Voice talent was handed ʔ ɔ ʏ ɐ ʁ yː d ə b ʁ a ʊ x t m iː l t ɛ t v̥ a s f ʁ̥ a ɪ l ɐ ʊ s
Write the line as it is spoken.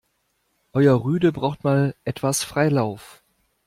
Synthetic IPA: ʔ ɔ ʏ ɐ ʁ yː d ə b ʁ a ʊ x t m aː l ʔ ɛ t v̥ a s f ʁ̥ a ɪ l a ʊ f